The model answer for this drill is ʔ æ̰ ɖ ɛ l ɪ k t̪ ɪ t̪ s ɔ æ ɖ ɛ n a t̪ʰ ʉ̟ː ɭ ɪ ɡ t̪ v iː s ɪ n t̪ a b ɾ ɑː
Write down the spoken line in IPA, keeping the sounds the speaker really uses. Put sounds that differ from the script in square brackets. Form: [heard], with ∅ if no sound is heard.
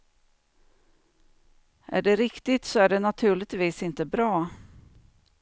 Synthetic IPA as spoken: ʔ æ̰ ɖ ɛ [ɾ] ɪ k t̪ ɪ t̪ s ɔ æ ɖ ɛ n a t̪ʰ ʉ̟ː ɭ ɪ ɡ t̪ v iː s ɪ n t̪ [ə] b ɾ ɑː